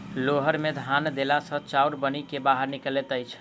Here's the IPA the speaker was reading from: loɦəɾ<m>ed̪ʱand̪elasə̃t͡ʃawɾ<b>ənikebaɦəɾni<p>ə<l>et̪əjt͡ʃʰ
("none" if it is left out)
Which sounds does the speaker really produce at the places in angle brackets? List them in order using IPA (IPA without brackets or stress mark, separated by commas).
m, b, k, l